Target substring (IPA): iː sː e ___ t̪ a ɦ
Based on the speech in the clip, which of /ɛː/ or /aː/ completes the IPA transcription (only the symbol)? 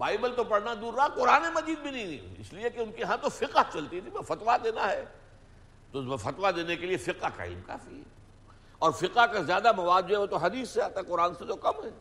aː